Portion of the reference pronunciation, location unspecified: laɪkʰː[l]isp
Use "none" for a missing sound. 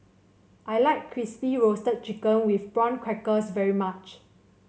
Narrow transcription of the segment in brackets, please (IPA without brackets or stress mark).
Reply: ɹ